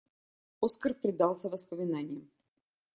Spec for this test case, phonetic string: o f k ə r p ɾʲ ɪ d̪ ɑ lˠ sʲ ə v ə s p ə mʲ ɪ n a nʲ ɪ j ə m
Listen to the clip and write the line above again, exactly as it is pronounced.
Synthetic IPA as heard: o s k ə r p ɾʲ ɪ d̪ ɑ lˠ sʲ ə v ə s p ə mʲ ɪ n a nʲ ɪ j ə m